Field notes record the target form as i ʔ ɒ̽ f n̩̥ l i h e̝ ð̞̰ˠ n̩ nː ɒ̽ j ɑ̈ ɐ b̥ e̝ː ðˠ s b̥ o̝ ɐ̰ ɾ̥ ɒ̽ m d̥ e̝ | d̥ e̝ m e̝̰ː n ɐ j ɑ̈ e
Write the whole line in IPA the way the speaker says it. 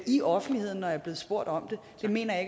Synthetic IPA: i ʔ ɒ̽ f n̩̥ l i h e̝ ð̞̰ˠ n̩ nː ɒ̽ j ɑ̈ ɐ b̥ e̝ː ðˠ s b̥ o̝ ɐ̰ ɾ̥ ɒ̽ m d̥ e̝ | d̥ e̝ m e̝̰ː n ɐ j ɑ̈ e